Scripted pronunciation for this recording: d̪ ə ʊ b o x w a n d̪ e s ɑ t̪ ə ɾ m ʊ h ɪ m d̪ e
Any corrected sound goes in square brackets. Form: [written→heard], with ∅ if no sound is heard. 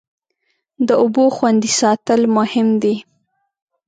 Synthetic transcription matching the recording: d̪ ə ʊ b o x w a n d̪ [e→i] s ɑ t̪ ə [ɾ→l] m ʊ h ɪ m d̪ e